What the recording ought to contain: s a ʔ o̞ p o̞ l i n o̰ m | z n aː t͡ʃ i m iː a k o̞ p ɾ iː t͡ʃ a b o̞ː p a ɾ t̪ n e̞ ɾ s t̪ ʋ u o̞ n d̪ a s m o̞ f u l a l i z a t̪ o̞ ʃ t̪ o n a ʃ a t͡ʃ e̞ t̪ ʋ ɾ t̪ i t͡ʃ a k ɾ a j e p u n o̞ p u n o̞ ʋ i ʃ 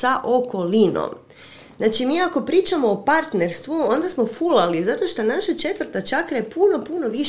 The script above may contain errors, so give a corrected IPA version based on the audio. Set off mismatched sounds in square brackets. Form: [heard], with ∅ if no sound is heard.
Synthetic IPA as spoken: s a ʔ o̞ [k] o̞ l i n o̰ m | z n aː t͡ʃ i m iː a k o̞ p ɾ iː t͡ʃ a [m] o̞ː p a ɾ t̪ n e̞ ɾ s t̪ ʋ u o̞ n d̪ a s m o̞ f u l a l i z a t̪ o̞ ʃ t̪ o n a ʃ a t͡ʃ e̞ t̪ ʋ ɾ t̪ [a] t͡ʃ a k ɾ a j e p u n o̞ p u n o̞ ʋ i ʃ